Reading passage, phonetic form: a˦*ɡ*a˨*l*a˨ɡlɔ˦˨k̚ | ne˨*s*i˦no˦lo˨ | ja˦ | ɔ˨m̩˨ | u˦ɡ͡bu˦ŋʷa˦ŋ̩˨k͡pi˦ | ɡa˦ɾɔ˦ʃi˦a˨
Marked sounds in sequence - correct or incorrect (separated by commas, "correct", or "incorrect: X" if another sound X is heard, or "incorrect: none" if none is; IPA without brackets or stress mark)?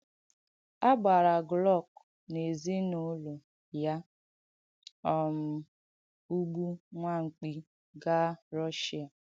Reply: incorrect: ɡ͡b, incorrect: ɾ, incorrect: z